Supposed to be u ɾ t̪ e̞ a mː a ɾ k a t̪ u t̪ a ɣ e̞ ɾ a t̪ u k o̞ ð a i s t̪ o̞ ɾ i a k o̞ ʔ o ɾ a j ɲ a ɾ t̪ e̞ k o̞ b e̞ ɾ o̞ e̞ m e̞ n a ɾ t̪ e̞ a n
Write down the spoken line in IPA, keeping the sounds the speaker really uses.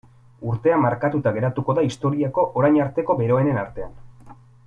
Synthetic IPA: u ɾ t̪ e̞ a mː a ɾ k a t̪ u t̪ a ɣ e̞ ɾ a t̪ u k o̞ ð a i s t̪ o̞ ɾ i a k o̞ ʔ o ɾ a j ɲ a ɾ t̪ e̞ k o̞ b e̞ ɾ o̞ e̞ n e̞ n a ɾ t̪ e̞ a n